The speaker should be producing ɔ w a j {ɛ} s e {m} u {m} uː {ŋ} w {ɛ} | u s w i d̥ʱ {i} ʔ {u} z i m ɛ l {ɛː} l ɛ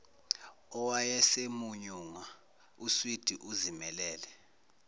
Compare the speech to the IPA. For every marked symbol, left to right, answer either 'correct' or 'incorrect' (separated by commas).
correct, correct, incorrect, correct, incorrect, correct, correct, correct